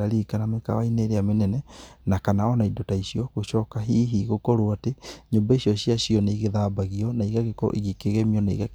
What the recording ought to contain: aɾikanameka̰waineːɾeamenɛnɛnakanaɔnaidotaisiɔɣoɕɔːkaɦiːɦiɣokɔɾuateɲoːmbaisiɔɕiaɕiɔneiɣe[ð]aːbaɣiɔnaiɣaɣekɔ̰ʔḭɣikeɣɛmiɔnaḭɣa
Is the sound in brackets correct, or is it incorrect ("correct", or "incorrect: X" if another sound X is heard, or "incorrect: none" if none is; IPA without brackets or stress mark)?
correct